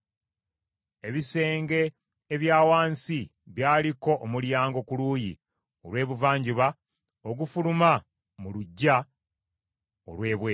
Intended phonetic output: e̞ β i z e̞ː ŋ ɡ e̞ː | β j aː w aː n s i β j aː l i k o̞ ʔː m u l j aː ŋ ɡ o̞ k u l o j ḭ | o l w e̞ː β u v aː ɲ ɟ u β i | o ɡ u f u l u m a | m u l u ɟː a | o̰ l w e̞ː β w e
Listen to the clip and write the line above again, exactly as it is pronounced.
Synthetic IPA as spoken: e̞ β i s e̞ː ŋ ɡ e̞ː | β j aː w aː n s i β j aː l i k o̞ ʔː m u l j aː ŋ ɡ o̞ k u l u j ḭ | o l w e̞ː β u v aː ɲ ɟ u β a | o ɡ u f u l u m a | m u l u ɟː a | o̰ l w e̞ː β w e